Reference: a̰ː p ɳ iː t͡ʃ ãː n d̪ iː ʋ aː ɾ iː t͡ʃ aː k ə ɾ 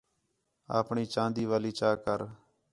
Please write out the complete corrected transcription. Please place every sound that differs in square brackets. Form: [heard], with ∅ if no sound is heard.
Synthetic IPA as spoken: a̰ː p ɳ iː t͡ʃ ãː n d̪ iː ʋ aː [l] iː t͡ʃ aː k ə ɾ